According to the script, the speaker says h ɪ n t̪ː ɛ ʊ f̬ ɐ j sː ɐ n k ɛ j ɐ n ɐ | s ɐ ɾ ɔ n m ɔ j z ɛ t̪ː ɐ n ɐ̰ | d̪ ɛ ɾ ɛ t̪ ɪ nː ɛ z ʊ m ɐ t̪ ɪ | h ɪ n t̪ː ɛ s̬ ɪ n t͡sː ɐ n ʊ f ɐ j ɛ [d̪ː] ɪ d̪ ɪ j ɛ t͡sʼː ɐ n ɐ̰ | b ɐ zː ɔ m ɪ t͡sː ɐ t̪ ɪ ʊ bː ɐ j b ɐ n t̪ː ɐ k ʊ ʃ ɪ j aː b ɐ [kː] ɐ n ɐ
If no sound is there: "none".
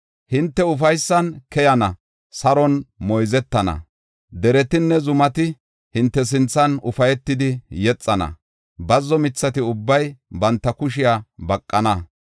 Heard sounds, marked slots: t̪ː, kʼː

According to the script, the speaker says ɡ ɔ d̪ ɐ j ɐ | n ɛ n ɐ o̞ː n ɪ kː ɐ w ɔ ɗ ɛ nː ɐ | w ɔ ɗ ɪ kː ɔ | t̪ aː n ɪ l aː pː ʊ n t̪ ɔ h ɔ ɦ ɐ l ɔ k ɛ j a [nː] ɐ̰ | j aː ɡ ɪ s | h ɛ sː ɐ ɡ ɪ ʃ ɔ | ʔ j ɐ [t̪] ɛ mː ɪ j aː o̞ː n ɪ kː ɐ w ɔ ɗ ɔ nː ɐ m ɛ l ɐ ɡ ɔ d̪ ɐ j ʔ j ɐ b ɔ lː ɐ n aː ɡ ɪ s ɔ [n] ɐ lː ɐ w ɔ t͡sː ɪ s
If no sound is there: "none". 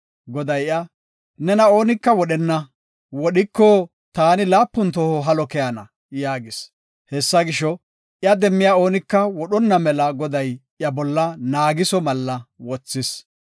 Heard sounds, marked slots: n, d̪, m

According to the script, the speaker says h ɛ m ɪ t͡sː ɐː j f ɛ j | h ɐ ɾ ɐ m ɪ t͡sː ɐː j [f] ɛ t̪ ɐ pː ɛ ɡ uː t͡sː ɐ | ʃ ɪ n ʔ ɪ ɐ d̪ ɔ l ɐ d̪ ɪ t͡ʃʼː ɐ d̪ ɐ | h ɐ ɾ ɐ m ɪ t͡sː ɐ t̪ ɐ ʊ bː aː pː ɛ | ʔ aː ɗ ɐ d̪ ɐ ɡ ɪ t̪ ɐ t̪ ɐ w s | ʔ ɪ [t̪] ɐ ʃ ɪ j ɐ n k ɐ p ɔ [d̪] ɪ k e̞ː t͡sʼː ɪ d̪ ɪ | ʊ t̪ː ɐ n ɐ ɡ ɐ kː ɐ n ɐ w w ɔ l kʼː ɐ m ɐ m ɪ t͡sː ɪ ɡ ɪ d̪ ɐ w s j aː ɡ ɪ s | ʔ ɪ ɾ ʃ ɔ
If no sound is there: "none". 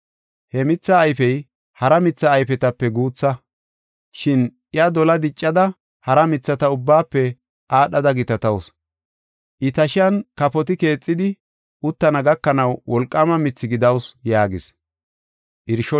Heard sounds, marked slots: f, t̪, t̪

